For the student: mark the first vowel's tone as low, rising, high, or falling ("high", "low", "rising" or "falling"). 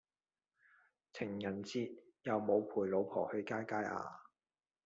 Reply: low